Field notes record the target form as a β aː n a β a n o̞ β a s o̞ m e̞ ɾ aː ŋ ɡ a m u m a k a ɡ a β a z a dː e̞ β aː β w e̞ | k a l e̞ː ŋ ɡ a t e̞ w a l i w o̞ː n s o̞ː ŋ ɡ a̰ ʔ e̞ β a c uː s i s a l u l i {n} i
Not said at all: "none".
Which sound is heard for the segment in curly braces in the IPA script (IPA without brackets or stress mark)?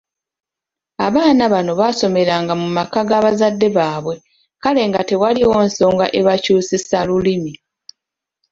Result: m